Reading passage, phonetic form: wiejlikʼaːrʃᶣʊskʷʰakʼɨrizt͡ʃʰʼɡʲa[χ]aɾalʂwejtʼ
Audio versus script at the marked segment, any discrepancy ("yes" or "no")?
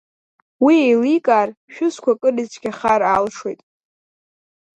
no